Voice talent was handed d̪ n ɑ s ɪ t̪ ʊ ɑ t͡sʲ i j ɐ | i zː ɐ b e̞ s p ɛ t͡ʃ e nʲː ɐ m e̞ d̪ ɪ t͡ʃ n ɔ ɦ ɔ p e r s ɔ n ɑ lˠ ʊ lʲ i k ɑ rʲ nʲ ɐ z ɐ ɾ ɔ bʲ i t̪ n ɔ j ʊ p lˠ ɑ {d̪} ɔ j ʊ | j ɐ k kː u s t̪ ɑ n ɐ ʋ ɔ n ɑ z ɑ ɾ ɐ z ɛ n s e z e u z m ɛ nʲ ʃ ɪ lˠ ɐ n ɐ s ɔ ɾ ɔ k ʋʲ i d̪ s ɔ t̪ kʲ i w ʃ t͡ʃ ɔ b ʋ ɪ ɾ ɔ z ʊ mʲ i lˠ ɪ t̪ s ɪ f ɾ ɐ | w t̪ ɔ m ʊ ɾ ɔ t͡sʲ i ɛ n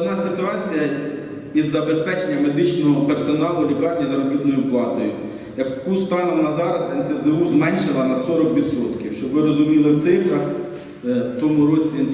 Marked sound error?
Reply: yes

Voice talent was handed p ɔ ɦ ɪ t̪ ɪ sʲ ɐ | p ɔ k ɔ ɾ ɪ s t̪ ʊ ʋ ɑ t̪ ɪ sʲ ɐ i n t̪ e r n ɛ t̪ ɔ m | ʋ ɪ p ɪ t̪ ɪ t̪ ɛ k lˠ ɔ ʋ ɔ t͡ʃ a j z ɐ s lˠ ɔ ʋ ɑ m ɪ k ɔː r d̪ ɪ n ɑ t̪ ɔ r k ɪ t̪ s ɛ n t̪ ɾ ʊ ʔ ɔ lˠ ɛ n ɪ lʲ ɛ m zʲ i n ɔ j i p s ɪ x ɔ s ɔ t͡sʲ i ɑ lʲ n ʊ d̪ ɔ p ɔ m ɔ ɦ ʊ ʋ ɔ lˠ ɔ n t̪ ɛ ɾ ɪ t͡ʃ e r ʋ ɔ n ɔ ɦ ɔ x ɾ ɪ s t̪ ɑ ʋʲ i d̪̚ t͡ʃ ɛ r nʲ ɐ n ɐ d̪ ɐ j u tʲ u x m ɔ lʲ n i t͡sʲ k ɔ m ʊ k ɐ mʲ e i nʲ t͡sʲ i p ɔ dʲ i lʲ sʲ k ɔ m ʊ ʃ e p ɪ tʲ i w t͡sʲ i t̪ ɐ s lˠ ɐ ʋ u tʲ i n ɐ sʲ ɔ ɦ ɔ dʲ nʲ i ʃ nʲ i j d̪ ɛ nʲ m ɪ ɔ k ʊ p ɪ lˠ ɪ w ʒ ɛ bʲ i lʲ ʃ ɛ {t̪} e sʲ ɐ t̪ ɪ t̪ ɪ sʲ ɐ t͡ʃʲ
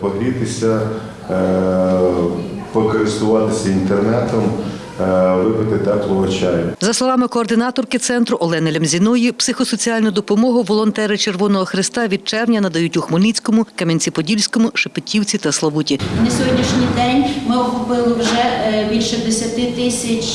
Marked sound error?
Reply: yes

